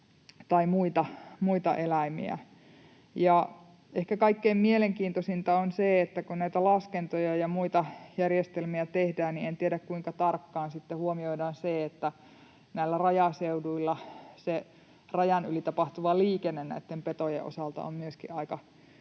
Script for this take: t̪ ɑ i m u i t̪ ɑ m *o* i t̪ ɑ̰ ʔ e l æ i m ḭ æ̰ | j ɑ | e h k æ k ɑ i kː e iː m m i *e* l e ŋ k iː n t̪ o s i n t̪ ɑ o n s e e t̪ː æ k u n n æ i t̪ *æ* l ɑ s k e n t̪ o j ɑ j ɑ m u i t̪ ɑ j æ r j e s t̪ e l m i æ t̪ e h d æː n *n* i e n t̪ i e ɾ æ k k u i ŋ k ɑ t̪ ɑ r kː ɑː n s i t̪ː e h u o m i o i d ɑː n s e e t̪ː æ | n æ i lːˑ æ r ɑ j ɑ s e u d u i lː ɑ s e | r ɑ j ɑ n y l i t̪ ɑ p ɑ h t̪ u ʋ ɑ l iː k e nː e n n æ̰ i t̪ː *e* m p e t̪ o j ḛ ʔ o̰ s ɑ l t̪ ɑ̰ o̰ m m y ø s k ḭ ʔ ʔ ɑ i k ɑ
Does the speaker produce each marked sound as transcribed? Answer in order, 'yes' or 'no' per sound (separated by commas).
no, yes, yes, yes, yes